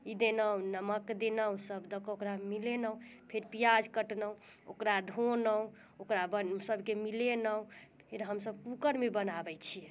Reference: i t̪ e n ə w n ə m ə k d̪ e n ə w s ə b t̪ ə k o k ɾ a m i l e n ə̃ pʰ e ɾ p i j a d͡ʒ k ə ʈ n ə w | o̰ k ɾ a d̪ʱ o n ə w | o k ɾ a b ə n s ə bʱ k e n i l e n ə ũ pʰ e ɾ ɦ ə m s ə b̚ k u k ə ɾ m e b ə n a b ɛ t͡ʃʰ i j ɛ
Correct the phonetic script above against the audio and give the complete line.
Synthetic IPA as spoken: i d̪ e n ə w n ə m ə k d̪ e n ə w s ə b d̪ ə k o k ɾ a m i l e n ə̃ pʰ e ɾ p i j a d͡ʒ k ə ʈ n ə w | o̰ k ɾ a d̪ʱ o n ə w | o k ɾ a b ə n s ə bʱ k e m i l e n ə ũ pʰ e ɾ ɦ ə m s ə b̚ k u k ə ɾ m e b ə n a b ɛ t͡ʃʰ i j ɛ